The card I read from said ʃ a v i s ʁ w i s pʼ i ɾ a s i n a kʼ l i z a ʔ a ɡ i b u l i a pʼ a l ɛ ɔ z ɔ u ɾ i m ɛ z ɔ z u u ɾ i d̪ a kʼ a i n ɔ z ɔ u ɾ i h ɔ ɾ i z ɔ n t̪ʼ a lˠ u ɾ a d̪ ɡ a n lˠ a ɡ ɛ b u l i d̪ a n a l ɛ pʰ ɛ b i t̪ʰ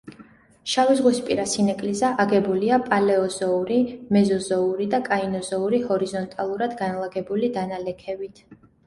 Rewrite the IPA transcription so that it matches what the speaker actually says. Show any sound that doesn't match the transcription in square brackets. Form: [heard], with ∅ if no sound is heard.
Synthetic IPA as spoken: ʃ a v i [z] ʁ w i s pʼ i ɾ a s i n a kʼ l i z a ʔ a ɡ [ɛ] b u l i a pʼ a l ɛ ɔ z ɔ u ɾ i m ɛ z ɔ z [ɔ] u ɾ i d̪ a kʼ a i n ɔ z ɔ u ɾ i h ɔ ɾ i z ɔ n t̪ʼ a lˠ u ɾ a d̪ ɡ a n lˠ a ɡ ɛ b u l i d̪ a n a l ɛ [kʰ] ɛ b i t̪ʰ